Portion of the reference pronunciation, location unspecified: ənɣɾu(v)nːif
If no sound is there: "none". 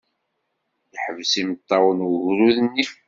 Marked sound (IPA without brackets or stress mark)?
ð